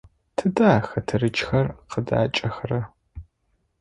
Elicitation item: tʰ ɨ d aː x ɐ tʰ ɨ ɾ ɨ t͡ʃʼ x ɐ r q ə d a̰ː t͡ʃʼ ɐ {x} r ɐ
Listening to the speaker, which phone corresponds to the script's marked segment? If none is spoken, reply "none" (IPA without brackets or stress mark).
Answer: x